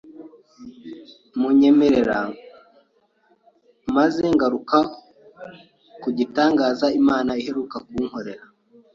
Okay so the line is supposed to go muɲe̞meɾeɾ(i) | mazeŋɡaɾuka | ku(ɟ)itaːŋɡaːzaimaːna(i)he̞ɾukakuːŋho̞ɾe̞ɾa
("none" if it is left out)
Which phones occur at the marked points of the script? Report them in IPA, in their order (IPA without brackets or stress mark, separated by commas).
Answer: a, ɟ, i